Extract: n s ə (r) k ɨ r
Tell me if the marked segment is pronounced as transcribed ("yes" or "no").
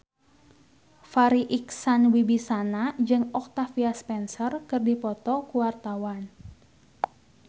yes